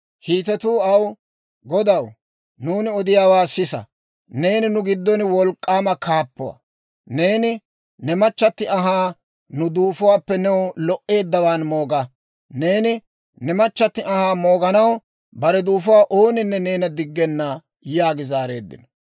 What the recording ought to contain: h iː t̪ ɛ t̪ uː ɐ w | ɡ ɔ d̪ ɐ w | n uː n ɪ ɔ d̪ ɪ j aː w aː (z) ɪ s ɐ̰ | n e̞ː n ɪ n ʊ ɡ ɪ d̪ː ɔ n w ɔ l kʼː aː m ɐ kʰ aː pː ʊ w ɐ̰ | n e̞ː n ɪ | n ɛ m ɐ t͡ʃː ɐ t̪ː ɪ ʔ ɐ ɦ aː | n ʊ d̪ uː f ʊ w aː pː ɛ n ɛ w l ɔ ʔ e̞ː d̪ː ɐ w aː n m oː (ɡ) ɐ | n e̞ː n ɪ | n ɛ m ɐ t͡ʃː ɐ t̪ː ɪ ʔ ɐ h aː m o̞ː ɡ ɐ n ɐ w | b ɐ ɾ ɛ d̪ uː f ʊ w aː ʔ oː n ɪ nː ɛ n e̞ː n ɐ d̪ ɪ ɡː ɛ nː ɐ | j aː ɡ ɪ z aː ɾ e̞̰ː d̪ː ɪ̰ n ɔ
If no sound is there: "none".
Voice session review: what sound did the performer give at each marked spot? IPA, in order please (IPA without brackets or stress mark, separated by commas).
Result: s, ɡ